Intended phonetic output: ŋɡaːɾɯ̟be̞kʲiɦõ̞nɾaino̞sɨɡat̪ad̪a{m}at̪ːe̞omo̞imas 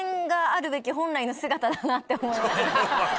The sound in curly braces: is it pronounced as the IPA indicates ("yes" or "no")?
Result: no